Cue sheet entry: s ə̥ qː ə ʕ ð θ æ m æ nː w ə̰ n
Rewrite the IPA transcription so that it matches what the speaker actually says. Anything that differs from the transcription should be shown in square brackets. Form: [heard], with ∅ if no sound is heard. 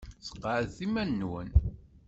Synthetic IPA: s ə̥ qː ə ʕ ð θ [i] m æ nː w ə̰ n